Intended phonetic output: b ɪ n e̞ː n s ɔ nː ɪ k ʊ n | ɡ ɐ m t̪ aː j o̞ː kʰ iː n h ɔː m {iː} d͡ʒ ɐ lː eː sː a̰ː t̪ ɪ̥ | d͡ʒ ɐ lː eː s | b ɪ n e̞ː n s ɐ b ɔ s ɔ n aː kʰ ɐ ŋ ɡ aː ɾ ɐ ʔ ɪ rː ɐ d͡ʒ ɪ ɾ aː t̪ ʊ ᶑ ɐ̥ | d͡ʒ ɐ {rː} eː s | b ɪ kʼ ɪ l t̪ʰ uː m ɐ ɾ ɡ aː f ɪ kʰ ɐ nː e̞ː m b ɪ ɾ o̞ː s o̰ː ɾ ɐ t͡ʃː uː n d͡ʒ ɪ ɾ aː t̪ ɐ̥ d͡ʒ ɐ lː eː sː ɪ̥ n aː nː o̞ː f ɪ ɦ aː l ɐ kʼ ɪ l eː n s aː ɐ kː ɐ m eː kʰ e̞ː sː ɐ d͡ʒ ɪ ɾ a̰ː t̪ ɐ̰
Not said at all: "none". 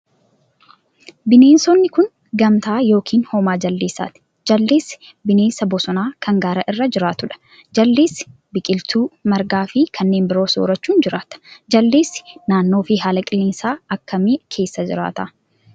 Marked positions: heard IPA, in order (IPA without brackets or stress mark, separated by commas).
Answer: aː, lː